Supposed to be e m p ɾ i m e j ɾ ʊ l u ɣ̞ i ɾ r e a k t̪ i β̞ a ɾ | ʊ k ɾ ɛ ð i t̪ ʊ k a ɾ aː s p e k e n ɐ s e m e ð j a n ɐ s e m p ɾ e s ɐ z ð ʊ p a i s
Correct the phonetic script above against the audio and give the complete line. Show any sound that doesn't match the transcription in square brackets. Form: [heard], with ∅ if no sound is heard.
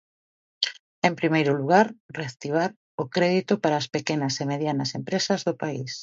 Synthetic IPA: e m p ɾ i m e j ɾ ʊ l u ɣ̞ [a] ɾ r e a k t̪ i β̞ a ɾ | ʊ k ɾ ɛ ð i t̪ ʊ [p] a ɾ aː s p e k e n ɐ s e m e ð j a n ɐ s e m p ɾ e s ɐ z ð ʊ p a i s